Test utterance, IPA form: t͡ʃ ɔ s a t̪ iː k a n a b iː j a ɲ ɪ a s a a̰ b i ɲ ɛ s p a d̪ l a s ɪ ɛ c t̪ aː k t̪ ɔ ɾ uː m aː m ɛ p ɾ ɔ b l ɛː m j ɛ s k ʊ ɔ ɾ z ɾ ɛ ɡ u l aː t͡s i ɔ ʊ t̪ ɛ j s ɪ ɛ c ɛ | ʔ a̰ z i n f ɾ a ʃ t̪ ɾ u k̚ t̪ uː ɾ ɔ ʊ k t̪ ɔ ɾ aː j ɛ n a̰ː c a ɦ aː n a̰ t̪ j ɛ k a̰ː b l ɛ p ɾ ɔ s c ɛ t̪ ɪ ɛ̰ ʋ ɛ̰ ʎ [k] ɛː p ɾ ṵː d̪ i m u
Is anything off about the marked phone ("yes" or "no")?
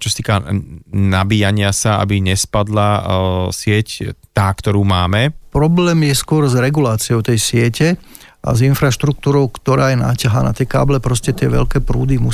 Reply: no